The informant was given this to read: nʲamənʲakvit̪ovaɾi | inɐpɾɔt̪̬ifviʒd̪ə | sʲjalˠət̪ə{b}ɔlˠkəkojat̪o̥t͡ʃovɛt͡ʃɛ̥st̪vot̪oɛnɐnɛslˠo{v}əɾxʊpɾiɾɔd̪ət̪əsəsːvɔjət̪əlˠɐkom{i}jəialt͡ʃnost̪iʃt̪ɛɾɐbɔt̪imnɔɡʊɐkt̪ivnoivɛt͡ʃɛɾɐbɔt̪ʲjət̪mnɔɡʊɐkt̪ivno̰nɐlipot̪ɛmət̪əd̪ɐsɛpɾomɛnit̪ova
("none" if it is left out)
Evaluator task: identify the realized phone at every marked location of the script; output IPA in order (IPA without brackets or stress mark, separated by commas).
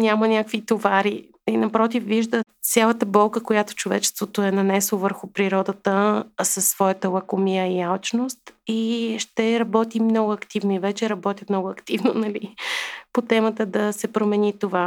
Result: b, v, i